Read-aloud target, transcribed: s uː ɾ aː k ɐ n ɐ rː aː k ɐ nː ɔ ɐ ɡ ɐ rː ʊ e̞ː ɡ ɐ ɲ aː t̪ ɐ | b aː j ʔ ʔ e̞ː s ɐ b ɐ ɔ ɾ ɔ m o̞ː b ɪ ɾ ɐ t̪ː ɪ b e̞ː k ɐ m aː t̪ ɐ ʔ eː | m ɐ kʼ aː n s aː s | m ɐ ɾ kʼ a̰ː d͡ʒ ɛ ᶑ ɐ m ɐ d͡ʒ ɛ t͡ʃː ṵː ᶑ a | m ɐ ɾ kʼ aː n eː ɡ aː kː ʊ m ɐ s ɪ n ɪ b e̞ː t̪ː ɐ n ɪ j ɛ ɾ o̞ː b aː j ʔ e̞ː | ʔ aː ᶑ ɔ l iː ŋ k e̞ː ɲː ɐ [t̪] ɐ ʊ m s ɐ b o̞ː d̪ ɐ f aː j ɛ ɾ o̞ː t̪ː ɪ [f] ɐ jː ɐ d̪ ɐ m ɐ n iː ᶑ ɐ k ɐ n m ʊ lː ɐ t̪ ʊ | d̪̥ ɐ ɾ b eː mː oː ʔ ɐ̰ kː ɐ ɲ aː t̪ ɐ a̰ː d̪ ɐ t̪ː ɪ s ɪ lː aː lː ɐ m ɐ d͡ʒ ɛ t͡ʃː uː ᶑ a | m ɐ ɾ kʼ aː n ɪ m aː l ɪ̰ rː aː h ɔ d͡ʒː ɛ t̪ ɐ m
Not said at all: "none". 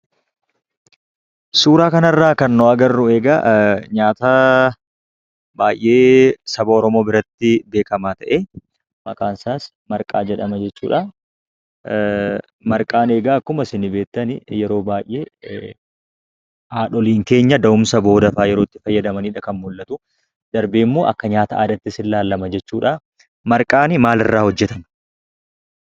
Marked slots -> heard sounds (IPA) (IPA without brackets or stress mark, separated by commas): d̪, f